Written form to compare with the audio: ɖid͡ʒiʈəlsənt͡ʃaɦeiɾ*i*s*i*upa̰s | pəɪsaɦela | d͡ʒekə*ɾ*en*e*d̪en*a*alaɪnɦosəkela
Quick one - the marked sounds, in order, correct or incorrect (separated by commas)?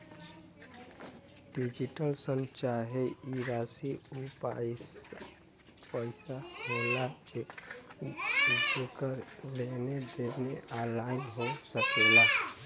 incorrect, correct, incorrect, correct, incorrect